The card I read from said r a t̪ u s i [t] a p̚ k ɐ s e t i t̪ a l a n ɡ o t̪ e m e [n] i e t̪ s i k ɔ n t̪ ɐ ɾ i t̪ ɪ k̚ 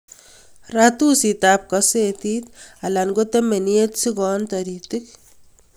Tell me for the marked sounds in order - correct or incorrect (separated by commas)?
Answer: correct, correct